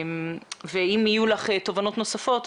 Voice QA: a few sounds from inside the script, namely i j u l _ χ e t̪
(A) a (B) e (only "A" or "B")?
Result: A